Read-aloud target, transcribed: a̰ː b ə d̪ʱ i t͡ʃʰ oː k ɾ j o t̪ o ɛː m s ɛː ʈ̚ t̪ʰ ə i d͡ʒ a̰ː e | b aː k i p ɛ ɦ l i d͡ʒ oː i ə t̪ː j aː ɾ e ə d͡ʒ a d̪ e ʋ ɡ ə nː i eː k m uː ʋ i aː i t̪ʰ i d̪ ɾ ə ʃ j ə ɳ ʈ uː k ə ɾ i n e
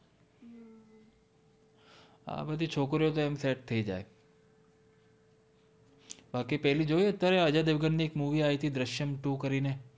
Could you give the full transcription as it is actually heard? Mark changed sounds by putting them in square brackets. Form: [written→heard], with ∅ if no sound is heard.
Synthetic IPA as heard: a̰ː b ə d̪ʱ i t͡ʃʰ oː k ɾ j o t̪ o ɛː m s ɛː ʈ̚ t̪ʰ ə i d͡ʒ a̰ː e | b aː k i p ɛ ɦ l i d͡ʒ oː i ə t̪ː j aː ɾ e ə d͡ʒ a d̪ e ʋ ɡ ə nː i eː k m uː ʋ i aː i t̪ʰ i d̪ ɾ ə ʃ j ə [ɳ→m] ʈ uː k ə ɾ i n e